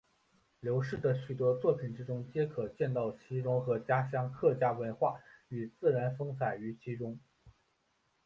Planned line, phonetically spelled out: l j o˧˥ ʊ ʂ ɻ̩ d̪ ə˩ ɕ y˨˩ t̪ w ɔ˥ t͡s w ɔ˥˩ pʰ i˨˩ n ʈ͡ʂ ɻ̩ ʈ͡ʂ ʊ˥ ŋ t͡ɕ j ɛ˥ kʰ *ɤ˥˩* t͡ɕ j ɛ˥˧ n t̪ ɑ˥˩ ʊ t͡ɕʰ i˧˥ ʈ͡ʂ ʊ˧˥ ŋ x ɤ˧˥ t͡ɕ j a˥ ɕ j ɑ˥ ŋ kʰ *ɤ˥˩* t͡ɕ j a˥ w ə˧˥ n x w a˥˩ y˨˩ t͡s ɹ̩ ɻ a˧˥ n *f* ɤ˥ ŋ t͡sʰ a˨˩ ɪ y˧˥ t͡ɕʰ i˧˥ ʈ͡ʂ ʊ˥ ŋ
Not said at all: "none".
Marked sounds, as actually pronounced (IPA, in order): ɤ˨˩, ɤ˥˩, f

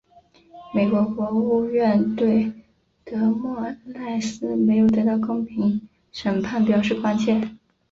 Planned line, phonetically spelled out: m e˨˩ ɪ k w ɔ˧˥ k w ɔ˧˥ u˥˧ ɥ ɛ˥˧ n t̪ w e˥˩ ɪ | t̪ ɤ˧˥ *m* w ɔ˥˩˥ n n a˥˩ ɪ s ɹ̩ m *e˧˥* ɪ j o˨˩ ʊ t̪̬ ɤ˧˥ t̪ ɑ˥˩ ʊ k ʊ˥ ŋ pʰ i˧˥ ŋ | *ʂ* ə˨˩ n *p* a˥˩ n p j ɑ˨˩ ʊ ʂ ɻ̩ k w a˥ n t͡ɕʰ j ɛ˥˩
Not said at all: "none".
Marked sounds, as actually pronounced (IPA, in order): m, e˧˥, ʂ, pʰ

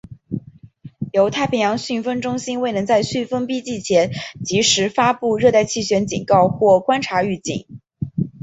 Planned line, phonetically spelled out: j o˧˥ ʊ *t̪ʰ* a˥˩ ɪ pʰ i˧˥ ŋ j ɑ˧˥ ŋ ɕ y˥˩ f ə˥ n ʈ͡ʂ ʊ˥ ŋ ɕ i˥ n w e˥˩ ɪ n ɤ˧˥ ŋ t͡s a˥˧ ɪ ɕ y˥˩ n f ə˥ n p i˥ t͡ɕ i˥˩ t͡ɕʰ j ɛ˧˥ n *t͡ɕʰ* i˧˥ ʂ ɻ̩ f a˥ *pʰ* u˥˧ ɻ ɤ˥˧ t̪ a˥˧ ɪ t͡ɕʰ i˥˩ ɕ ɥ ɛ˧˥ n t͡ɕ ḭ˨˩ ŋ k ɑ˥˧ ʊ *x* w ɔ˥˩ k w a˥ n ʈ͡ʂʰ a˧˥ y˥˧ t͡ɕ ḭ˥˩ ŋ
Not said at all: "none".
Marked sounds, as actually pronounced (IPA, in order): t̪ʰ, t͡ɕ, p, x

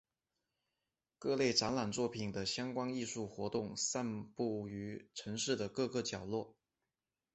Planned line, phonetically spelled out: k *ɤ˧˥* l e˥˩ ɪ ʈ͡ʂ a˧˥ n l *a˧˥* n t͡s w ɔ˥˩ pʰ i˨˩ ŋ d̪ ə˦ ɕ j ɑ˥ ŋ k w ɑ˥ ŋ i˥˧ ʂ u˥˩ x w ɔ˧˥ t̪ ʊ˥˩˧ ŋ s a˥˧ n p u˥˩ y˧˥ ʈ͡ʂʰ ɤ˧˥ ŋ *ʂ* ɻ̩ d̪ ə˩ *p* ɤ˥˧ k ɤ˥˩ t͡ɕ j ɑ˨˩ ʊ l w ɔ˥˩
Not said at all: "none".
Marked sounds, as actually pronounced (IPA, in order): ɤ˥˧, a˨˩, ʂ, k

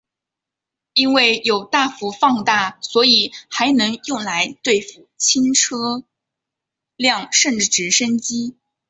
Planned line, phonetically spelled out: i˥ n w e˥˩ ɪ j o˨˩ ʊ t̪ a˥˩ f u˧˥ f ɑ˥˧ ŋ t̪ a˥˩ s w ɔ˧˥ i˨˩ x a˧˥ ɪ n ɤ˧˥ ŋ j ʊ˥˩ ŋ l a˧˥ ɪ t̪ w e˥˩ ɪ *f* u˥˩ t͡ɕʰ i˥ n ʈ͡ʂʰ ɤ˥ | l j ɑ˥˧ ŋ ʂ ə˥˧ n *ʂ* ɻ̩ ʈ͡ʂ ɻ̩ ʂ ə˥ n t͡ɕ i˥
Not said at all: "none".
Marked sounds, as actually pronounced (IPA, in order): f, ʈ͡ʂ

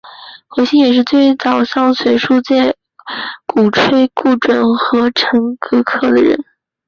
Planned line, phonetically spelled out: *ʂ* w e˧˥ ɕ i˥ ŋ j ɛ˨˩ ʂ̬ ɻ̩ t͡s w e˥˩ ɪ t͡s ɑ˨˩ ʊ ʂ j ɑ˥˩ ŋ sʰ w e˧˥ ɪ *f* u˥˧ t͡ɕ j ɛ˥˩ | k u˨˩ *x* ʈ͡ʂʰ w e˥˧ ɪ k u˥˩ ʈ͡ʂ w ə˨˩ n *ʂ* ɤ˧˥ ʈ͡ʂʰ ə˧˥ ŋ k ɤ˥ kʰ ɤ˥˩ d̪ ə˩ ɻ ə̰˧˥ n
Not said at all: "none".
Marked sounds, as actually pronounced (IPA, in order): x, ʂ, none, x

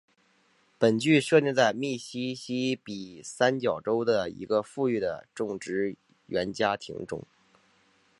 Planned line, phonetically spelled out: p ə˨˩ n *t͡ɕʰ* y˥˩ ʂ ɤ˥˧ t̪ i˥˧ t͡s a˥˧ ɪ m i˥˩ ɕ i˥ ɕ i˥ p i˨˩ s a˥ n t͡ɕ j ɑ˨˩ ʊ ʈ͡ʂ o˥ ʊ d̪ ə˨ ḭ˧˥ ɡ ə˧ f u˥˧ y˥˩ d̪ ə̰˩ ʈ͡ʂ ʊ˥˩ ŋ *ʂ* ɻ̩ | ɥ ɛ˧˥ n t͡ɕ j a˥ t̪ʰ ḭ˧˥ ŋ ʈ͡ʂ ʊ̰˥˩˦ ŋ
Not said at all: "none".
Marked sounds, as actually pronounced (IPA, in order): t͡ɕ, ʈ͡ʂ

